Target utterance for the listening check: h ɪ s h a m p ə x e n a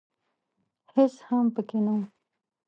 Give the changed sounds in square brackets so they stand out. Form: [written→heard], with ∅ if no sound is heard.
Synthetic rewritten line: h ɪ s h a m p ə [x→k] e n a